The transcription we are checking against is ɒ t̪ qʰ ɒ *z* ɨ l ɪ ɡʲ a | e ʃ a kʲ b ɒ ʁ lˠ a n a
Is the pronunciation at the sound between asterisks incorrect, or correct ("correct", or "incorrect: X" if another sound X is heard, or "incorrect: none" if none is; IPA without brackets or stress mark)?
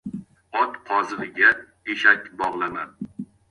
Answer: correct